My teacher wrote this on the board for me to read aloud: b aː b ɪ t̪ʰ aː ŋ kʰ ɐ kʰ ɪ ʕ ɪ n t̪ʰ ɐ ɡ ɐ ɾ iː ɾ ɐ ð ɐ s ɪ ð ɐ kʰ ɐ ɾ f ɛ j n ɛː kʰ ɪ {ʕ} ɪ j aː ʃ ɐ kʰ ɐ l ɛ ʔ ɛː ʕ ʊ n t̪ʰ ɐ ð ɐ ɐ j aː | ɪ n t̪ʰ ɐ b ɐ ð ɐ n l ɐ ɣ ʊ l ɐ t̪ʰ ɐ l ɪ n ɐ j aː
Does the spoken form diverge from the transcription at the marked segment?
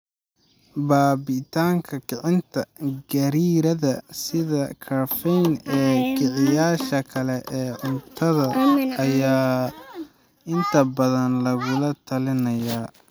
no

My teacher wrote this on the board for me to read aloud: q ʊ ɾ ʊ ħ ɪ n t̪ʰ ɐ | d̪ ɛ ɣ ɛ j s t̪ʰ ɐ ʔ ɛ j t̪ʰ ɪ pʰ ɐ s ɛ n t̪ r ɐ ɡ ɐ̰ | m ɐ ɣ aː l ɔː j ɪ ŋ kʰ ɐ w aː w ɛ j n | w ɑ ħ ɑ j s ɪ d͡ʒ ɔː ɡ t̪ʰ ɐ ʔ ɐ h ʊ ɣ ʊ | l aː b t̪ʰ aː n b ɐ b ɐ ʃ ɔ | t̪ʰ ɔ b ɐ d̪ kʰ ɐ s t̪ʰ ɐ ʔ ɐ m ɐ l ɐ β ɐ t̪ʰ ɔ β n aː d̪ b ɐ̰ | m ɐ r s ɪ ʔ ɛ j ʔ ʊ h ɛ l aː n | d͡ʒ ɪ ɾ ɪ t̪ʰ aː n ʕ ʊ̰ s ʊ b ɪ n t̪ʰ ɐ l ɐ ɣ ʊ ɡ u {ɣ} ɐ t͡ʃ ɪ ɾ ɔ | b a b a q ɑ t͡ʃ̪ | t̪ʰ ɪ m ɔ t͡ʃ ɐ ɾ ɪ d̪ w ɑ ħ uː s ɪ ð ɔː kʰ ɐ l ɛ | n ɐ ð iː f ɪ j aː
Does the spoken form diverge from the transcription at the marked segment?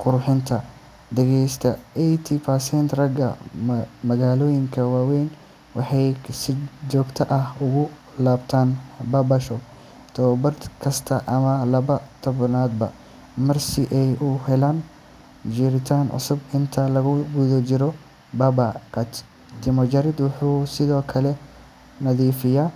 yes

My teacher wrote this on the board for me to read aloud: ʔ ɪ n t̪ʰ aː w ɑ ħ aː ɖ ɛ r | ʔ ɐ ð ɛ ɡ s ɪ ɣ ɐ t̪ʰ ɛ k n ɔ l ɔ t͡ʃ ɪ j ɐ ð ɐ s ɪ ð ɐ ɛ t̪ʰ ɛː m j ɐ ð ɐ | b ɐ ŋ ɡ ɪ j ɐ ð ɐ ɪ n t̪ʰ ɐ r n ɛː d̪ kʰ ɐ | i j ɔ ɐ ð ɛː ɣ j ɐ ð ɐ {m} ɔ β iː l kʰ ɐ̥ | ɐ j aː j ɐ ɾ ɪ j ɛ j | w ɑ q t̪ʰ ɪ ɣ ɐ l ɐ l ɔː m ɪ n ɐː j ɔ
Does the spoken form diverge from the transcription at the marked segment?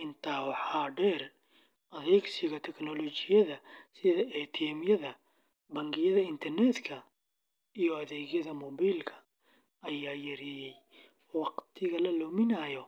no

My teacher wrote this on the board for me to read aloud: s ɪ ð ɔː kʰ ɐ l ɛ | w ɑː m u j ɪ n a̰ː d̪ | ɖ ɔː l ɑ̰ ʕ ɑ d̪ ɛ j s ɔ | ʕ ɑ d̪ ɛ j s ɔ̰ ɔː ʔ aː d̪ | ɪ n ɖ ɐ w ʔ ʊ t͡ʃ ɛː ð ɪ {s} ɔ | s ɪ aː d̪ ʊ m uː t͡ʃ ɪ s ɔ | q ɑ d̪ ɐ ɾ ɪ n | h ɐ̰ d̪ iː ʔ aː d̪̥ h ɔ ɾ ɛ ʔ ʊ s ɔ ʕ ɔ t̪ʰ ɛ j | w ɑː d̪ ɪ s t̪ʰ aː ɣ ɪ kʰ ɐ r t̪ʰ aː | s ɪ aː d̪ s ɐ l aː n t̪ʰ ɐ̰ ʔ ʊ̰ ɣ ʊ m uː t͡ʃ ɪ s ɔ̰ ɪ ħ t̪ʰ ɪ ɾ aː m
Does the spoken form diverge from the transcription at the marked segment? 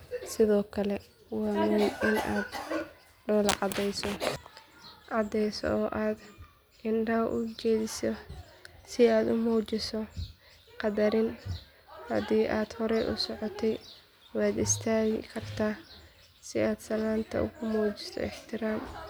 no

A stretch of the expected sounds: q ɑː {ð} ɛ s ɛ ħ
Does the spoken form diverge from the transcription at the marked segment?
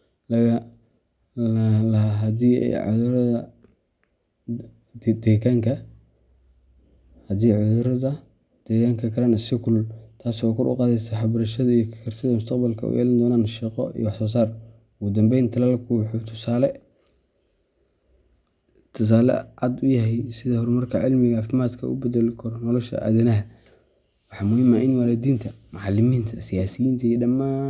no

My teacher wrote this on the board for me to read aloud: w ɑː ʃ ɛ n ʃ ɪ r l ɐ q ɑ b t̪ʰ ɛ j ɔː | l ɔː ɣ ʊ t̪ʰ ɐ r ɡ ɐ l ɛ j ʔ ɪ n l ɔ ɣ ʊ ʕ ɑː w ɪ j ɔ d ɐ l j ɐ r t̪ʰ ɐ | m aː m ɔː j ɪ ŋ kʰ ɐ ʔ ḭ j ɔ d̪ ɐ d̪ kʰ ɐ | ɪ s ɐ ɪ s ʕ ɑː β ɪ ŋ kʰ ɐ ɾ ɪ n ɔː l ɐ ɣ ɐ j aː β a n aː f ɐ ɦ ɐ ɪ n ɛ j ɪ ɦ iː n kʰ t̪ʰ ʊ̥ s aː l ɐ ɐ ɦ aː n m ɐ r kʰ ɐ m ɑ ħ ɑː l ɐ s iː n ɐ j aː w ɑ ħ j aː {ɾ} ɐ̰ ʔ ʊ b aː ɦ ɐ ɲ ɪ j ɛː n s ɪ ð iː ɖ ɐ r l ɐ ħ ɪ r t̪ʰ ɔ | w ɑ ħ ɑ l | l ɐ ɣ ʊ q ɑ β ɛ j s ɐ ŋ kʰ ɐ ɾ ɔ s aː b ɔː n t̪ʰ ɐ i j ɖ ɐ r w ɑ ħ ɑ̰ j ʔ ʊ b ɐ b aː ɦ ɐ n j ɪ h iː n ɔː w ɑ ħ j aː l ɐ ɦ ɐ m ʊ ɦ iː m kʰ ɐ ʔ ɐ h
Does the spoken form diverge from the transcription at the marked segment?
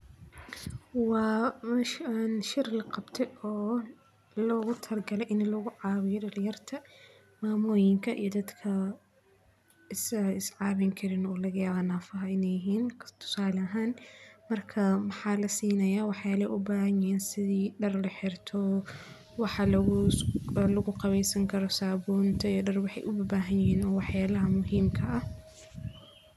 yes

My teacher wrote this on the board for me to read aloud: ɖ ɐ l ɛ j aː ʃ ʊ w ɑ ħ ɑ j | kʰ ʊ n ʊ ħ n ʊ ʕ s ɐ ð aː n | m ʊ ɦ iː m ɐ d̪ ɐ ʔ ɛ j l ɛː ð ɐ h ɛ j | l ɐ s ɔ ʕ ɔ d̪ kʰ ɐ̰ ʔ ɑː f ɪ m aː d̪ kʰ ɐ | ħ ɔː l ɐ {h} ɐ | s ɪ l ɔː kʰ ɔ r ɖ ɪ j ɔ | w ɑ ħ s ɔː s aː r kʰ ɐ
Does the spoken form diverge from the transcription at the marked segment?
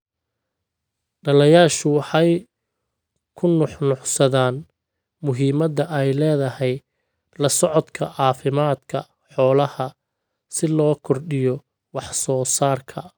no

